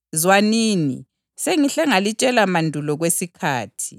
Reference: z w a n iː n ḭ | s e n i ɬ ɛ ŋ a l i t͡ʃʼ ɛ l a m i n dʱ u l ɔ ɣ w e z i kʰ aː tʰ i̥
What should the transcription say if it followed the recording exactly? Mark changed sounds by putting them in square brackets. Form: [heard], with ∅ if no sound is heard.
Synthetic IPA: z w a n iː n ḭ | s e [ŋ] i ɬ ɛ ŋ a l i t͡ʃʼ ɛ l a m [a] n dʱ u l ɔ ɣ w e [s] i kʰ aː tʰ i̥